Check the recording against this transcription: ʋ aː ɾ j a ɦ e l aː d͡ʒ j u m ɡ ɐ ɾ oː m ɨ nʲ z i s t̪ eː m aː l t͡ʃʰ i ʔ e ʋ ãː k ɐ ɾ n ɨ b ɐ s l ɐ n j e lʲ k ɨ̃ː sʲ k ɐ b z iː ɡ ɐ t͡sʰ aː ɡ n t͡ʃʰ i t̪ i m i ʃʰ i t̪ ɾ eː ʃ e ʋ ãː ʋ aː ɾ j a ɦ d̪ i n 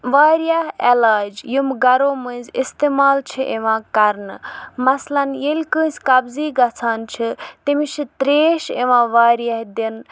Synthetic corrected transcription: ʋ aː ɾ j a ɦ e l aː d͡ʒ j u m ɡ ɐ ɾ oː m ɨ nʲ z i s t̪ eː m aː l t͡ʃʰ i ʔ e ʋ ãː k ɐ ɾ n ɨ m ɐ s l ɐ n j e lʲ k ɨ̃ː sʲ k ɐ b z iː ɡ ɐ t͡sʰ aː n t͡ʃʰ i t̪ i m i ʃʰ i t̪ ɾ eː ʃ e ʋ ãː ʋ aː ɾ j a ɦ d̪ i n